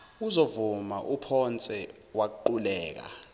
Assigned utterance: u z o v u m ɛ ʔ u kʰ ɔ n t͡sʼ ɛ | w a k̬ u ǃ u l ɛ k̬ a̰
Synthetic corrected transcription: u z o v u m a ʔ u pʰ ɔ n t͡sʼ ɛ | w a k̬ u ǃ u l ɛː k̬ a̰